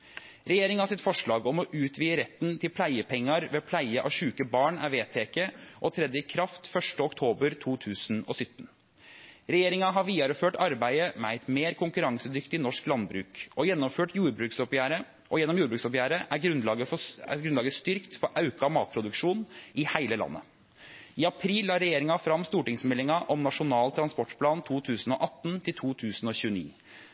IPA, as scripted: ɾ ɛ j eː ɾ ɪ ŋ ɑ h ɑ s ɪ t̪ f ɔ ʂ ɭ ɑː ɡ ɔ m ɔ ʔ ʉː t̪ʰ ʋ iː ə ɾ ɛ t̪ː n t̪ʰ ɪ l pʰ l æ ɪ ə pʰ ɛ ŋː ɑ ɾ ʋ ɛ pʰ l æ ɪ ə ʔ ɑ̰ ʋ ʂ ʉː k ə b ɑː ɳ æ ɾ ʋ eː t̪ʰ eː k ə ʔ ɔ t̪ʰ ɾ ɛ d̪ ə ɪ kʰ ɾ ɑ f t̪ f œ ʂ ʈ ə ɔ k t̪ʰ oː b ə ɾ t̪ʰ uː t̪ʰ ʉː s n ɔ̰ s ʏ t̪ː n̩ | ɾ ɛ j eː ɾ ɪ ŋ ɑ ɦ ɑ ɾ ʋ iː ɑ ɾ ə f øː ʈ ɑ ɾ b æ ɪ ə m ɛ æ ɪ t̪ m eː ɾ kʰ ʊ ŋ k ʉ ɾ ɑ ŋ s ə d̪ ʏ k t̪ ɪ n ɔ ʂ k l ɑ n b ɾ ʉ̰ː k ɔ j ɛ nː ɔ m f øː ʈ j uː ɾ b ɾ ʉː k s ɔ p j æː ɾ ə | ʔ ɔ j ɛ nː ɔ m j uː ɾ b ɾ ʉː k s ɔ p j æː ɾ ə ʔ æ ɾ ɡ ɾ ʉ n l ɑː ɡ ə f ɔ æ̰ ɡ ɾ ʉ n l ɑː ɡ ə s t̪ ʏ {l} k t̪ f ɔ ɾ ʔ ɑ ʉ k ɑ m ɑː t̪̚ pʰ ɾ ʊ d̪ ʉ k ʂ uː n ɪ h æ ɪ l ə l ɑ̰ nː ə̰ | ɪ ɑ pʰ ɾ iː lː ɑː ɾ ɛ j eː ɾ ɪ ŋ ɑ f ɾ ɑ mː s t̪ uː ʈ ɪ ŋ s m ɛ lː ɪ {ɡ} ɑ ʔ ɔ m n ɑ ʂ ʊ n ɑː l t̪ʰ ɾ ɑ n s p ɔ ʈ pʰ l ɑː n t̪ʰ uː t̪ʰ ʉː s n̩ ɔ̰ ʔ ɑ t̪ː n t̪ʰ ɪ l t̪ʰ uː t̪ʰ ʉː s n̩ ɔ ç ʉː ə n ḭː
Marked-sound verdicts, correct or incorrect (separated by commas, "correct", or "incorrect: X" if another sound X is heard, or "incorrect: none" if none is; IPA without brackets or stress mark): incorrect: ɾ, incorrect: ŋ